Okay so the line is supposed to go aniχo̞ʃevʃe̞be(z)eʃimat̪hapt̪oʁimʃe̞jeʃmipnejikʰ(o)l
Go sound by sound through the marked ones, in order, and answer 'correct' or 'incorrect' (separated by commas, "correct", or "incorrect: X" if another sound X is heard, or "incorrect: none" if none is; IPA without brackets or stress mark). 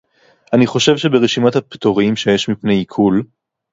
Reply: incorrect: ʁ, incorrect: u